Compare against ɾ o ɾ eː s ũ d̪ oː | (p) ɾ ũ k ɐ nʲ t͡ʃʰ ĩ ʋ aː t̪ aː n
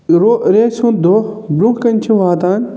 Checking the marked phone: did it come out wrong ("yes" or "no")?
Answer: yes